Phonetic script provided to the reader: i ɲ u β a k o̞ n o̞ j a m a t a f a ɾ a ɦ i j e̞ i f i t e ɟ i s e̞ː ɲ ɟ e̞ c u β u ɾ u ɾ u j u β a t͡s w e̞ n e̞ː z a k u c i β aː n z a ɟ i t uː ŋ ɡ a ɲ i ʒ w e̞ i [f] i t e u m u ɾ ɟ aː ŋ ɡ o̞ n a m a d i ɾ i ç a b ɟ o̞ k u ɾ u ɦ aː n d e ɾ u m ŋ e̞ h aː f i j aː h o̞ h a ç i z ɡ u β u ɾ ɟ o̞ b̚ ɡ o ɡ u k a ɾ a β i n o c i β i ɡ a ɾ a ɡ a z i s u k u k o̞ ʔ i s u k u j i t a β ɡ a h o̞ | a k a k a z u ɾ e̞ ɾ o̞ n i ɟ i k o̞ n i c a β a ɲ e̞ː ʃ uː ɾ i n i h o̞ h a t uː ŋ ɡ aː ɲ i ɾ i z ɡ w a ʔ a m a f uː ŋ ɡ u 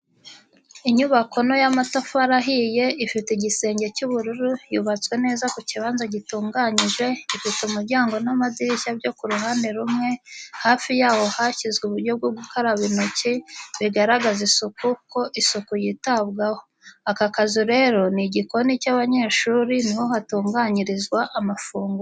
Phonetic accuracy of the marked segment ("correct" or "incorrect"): correct